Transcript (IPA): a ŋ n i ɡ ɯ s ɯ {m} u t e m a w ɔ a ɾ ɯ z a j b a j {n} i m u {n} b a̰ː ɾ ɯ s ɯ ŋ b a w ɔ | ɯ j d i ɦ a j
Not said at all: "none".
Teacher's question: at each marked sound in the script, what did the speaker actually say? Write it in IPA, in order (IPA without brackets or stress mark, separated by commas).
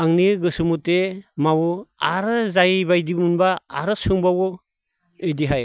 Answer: m, d, n